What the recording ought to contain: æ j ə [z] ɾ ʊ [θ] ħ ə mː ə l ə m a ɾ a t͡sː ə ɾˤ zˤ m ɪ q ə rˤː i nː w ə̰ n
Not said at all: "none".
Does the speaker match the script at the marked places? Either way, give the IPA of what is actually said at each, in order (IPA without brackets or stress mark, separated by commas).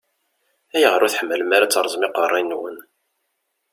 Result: ʁ, θ